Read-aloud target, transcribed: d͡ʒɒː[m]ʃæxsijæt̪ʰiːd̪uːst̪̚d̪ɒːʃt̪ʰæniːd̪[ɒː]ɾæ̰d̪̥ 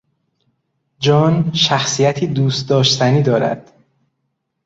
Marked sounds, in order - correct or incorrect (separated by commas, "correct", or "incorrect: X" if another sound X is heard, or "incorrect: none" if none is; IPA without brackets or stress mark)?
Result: incorrect: n, correct